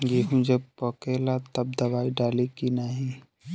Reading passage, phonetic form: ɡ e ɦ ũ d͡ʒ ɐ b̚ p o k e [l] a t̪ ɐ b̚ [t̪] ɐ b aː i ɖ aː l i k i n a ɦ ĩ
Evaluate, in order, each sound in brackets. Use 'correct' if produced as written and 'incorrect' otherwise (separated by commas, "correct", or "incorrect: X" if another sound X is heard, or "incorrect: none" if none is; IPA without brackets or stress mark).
correct, incorrect: d̪